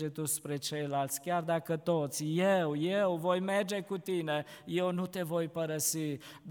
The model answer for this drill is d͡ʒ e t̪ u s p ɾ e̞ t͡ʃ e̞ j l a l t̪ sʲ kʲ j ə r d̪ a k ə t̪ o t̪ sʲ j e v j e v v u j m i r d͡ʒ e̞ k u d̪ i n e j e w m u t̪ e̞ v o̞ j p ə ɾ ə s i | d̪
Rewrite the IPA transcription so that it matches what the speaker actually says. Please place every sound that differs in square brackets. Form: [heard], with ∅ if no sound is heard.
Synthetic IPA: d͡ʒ e t̪ u s p ɾ e̞ t͡ʃ e̞ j l a l t̪ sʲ kʲ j [a] r d̪ a k ə t̪ o t̪ sʲ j e [w] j e [w] v [o] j m [e] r d͡ʒ e̞ k u [t̪] i n e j e w [n] u t̪ e̞ v o̞ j p ə ɾ ə s i | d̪